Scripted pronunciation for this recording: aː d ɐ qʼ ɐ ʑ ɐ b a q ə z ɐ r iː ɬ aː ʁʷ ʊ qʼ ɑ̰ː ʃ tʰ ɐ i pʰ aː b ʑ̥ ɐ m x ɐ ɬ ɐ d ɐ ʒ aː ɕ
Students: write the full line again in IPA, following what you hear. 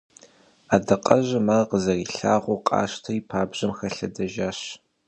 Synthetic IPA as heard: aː d ɐ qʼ ɐ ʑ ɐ m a q ə z ɐ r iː ɬ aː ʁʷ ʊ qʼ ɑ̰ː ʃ tʰ ɐ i pʰ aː b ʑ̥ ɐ m x ɐ ɬ ɐ d ɐ ʒ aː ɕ